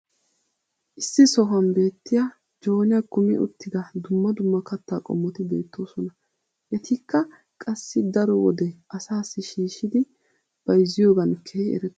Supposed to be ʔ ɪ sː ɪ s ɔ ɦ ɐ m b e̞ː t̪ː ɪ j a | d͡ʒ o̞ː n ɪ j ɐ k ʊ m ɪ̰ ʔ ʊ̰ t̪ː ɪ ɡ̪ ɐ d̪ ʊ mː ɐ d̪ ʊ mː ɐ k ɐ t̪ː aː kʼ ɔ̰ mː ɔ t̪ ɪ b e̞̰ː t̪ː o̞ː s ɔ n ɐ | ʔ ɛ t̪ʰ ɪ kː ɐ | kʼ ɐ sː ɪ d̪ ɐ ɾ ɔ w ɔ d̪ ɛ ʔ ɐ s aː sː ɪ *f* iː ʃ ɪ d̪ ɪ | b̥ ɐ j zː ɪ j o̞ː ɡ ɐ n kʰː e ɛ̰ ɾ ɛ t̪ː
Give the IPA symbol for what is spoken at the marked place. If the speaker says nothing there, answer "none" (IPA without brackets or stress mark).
ʃ